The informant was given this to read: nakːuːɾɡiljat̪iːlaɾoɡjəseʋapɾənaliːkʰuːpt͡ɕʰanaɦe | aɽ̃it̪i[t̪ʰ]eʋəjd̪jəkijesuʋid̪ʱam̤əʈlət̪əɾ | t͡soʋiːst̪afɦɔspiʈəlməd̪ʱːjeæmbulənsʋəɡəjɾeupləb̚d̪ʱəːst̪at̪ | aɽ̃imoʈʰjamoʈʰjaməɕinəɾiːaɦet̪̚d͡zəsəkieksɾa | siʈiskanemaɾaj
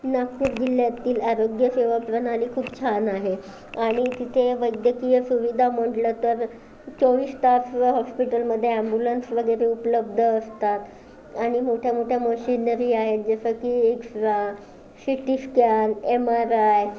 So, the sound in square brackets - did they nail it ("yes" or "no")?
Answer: yes